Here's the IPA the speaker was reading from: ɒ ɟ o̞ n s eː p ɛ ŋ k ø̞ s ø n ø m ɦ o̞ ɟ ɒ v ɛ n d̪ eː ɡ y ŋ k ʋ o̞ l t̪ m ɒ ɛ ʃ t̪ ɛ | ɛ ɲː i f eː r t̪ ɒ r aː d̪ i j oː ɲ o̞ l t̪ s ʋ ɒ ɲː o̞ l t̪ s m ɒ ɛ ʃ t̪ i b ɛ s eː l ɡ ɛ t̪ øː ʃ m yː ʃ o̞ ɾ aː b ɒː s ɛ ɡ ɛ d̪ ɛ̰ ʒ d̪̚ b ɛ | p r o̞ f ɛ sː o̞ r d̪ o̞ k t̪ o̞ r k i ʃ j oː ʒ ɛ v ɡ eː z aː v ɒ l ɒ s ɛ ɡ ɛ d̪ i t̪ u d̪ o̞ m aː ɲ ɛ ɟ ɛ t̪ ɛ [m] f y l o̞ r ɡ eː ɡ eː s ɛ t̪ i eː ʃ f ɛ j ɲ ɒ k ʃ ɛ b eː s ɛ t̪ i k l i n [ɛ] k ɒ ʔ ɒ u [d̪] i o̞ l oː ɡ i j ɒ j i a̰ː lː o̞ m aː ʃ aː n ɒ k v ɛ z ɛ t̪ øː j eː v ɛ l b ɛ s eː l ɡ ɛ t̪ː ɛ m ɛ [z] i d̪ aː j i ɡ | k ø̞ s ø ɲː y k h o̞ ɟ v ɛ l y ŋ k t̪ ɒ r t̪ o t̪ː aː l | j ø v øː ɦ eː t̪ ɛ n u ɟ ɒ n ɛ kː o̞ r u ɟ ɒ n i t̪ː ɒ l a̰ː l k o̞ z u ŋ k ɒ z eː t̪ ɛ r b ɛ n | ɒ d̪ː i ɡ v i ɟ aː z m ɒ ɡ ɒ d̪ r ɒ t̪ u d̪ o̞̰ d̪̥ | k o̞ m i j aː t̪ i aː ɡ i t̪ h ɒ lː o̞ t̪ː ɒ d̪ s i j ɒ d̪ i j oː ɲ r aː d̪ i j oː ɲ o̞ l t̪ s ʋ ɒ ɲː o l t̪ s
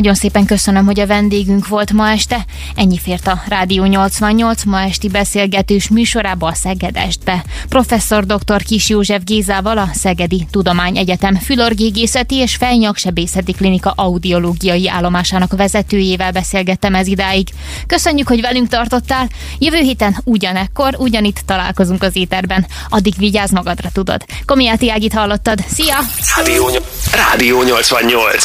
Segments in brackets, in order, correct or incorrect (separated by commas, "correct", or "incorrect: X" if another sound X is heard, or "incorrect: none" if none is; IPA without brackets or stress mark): correct, incorrect: i, correct, correct